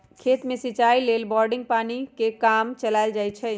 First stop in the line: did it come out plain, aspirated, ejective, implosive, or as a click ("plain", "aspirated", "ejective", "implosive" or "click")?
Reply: aspirated